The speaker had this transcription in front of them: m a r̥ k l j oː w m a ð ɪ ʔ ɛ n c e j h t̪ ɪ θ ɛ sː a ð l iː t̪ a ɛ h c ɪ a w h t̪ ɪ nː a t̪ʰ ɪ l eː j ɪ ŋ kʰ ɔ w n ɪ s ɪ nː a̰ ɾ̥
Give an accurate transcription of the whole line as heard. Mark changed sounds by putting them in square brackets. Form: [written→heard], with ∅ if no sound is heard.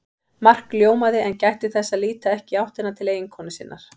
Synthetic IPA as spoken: m a r̥ k l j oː w m a ð ɪ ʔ ɛ n c [e→a] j h t̪ ɪ θ ɛ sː a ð l iː t̪ a ɛ h c ɪ a w h t̪ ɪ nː a t̪ʰ ɪ l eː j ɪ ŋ kʰ ɔ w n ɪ s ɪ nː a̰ ɾ̥

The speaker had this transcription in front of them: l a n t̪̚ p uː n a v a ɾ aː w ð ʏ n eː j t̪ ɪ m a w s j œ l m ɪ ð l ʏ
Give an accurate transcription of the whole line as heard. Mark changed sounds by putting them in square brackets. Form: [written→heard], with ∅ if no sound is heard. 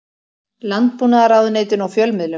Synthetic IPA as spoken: l a n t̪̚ p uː n a [v→ð] a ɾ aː w ð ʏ n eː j t̪ ɪ [m→n] a w [s→f] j œ l m ɪ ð l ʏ

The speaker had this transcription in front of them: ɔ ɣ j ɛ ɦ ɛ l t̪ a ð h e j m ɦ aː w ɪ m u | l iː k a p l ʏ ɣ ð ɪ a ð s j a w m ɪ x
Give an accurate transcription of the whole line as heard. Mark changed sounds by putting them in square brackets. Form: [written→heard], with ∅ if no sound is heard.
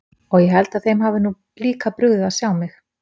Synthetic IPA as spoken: ɔ ɣ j ɛ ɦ ɛ l t̪ a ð [h→θ] e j m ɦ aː [w→v] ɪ [m→n] u | l iː k a p [l→ɾ] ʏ ɣ ð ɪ a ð s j a w m ɪ x

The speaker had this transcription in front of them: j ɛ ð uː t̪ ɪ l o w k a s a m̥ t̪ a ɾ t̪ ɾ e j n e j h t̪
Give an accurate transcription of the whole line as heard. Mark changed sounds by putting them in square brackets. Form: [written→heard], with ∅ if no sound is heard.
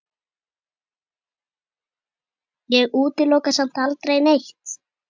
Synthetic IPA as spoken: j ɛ [ð→ɣ] uː t̪ ɪ l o w k a s a m̥ t̪ a [ɾ→l] t̪ ɾ e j n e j h t̪

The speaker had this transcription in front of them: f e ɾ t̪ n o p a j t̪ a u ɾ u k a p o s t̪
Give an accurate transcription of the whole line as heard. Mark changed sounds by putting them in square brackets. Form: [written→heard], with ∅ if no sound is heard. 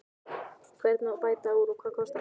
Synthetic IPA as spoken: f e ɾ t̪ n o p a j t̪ a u ɾ u k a [p→k] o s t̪

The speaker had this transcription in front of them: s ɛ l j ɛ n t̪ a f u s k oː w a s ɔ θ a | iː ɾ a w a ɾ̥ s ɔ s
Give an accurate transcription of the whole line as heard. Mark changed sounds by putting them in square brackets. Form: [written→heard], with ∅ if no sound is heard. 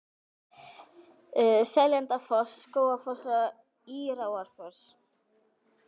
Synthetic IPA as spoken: s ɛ l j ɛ n t̪ a f [u→ɔ] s k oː w a [s→f] ɔ [θ→s] a | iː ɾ a w a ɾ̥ [s→f] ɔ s

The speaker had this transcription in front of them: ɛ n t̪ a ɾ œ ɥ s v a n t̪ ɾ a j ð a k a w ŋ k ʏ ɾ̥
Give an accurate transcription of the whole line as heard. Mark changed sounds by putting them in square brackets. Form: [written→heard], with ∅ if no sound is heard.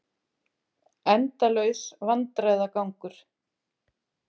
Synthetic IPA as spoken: ɛ n t̪ a [ɾ→l] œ ɥ s v a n t̪ ɾ a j ð a k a w ŋ k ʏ ɾ̥

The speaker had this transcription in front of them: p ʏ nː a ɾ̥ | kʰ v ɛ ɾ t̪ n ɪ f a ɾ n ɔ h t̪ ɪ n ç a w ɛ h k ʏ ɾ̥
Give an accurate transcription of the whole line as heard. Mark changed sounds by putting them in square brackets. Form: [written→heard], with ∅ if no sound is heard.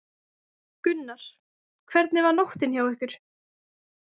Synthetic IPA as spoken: [p→k] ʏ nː a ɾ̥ | kʰ v ɛ ɾ t̪ n ɪ [f→v] a ɾ n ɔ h t̪ ɪ n ç a w ɛ h k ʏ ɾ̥

